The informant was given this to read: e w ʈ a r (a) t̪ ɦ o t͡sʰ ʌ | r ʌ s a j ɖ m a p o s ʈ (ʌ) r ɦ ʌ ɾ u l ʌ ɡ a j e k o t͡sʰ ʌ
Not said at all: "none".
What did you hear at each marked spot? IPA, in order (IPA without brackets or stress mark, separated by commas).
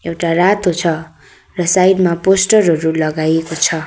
a, ʌ